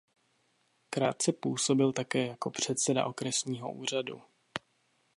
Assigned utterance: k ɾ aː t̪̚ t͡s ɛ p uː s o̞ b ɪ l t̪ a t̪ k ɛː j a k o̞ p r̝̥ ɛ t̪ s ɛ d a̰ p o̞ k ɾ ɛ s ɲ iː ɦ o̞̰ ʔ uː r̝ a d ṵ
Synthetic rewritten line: k ɾ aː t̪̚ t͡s ɛ p uː s o̞ b ɪ l t̪ a k ɛː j a k o̞ p r̝̥ ɛ t̪ s ɛ d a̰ ʔ o̞ k ɾ ɛ s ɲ iː ɦ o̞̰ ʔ uː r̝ a d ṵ